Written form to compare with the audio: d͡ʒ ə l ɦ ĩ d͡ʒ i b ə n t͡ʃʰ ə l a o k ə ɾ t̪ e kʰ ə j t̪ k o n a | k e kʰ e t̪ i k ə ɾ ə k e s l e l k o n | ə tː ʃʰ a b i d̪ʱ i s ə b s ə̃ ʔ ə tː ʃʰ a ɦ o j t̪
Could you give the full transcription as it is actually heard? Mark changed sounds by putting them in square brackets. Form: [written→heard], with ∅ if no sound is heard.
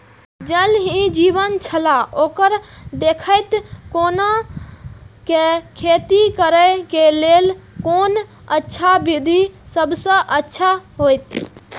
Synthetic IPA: d͡ʒ ə l ɦ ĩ d͡ʒ i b ə n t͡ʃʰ ə l a o k ə ɾ [t̪→d̪] e kʰ ə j t̪ k o n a | k e kʰ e t̪ i k ə ɾ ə k e [s→∅] l e l k o n | ə tː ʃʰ a b i d̪ʱ i s ə b s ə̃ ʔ ə tː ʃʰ a ɦ o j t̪